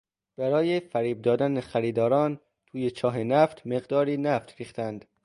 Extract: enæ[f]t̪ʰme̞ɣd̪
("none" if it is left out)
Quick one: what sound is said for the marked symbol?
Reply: f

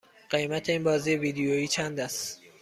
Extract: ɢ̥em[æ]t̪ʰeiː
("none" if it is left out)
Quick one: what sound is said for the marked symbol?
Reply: æ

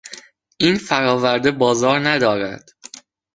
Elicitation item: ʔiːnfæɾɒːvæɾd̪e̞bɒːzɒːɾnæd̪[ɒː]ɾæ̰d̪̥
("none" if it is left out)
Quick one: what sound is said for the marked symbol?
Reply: ɒː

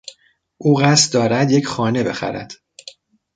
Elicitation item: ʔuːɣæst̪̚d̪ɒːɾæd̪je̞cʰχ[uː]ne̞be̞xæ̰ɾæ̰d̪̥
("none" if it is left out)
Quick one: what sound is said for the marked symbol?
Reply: ɒː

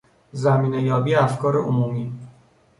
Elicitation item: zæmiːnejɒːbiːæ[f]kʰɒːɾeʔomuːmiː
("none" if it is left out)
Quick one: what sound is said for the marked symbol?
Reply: f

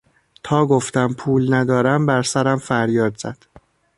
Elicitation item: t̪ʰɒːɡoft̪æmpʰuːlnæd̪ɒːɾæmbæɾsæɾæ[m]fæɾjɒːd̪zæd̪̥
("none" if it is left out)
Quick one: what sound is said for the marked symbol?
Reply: m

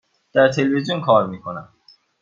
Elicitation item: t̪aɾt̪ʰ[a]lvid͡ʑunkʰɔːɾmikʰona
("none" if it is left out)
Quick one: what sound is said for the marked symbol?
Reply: e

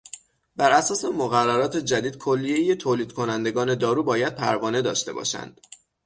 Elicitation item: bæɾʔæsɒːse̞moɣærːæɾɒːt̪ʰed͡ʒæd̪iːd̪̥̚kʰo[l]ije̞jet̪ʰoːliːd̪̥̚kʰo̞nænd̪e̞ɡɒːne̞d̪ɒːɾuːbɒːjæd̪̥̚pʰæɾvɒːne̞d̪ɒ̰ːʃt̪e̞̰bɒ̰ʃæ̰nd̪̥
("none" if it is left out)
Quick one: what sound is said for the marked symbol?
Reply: lː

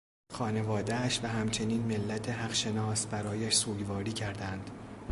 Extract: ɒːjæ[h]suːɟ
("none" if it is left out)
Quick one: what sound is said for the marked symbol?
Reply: ʃ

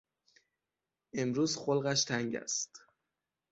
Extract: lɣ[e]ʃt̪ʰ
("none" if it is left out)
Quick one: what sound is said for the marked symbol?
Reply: æ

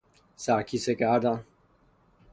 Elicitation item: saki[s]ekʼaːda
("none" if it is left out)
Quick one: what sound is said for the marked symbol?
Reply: s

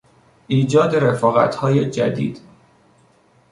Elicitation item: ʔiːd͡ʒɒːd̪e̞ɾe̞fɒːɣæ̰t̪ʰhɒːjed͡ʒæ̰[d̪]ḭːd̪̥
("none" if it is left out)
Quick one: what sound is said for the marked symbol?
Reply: d̪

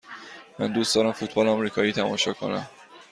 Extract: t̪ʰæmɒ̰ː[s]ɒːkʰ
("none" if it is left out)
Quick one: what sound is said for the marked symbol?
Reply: ʃ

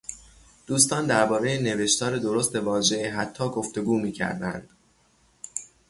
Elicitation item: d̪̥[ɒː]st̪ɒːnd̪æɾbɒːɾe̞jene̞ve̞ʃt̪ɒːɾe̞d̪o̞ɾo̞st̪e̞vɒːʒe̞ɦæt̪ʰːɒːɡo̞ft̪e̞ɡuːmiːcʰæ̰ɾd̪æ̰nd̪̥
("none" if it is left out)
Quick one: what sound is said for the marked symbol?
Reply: uː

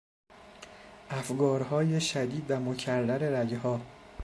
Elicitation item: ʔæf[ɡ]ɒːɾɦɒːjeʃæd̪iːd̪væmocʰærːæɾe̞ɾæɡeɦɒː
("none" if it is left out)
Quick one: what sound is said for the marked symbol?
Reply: ɡ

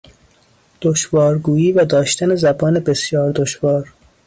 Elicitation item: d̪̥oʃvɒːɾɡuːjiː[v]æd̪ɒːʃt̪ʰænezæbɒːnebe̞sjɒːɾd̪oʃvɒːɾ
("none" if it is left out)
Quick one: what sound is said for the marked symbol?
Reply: v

